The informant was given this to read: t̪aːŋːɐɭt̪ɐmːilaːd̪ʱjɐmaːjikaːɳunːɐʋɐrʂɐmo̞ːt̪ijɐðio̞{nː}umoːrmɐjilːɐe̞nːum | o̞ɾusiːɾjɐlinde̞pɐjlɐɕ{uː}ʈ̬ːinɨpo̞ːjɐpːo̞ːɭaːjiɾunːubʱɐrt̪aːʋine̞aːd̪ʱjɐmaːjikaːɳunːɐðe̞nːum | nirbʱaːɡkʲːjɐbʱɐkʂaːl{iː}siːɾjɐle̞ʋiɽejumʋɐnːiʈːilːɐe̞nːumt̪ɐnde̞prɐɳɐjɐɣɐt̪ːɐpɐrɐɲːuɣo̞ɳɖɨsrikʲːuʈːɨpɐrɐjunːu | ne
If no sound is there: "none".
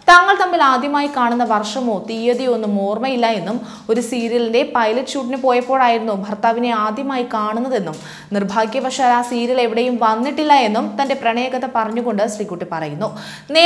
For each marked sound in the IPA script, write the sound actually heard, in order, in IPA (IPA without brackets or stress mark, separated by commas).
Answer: nː, uː, aː